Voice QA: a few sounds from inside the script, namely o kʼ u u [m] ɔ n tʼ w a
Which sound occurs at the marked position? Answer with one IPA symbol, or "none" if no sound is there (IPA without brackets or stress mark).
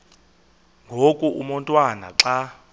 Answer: m